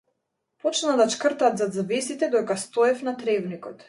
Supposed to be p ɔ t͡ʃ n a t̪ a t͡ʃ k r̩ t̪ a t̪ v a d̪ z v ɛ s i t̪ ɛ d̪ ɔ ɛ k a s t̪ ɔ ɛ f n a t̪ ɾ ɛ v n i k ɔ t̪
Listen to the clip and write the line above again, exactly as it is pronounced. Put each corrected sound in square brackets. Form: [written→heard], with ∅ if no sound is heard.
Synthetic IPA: p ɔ t͡ʃ n a [t̪→d̪] a t͡ʃ k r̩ t̪ a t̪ [v→z] a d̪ z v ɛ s i t̪ ɛ d̪ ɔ ɛ k a s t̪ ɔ ɛ f n a t̪ ɾ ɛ v n i k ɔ t̪